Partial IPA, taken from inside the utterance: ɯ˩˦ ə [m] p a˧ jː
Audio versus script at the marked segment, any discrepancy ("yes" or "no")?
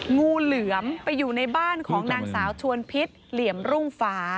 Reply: no